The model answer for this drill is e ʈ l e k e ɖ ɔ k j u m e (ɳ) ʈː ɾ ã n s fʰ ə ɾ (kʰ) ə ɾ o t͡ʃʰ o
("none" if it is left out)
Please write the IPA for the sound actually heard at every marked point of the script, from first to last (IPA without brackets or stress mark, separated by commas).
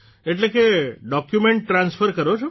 ɳ, k